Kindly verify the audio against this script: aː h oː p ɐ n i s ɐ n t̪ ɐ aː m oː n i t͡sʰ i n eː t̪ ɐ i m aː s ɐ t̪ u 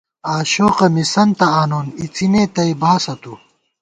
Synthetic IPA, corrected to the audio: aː ɕ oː q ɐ m i s ɐ n t̪ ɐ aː n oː n i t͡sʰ i n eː t̪ ɐ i b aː s ɐ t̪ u